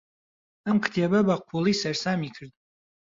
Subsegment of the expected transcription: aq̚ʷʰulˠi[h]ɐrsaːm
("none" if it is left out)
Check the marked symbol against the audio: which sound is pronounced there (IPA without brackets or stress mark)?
s